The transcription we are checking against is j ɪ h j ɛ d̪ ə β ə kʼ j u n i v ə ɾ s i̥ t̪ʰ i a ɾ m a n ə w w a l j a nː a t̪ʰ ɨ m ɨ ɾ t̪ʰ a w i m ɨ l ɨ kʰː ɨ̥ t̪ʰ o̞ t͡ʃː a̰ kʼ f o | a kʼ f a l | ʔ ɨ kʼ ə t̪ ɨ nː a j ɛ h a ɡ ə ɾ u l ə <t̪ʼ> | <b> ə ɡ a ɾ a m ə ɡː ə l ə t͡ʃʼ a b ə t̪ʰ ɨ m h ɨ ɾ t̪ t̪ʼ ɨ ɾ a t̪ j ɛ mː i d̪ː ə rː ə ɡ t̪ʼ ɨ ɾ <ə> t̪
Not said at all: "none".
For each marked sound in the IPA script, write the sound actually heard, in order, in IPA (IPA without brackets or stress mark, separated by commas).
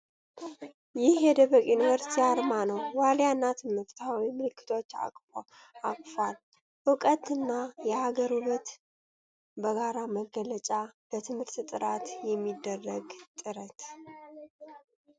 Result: t̪, b, ə